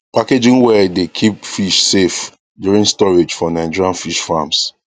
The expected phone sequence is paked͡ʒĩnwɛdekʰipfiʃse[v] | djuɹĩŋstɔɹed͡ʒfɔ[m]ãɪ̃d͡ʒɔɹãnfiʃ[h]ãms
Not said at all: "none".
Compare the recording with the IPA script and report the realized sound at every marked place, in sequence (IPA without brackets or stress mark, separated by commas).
f, n, f